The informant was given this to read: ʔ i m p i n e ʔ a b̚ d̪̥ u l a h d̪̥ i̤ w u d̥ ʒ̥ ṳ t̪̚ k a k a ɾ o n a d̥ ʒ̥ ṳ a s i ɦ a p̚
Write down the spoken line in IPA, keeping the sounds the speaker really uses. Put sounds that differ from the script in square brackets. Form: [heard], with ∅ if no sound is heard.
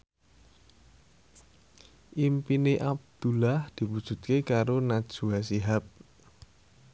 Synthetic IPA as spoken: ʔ i m p i n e ʔ a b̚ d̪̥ u l a h d̪̥ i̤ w u d̥ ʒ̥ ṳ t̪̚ k [e] k a ɾ o n a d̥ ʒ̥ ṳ a s i ɦ a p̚